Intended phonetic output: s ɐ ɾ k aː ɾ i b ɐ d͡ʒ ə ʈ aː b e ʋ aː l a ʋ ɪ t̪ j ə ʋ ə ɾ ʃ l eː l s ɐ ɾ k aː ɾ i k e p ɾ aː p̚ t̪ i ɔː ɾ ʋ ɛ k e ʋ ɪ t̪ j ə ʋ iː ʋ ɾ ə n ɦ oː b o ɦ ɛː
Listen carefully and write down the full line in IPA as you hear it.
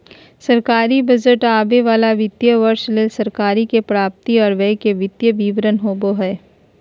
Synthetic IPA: s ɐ ɾ k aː ɾ i b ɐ d͡ʒ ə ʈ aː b e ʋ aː l a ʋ ɪ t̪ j ə ʋ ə ɾ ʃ l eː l s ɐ ɾ k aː ɾ i k e p ɾ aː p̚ t̪ i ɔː ɾ ʋ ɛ k e ʋ ɪ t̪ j ə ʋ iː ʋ ɾ ə n ɦ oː b o ɦ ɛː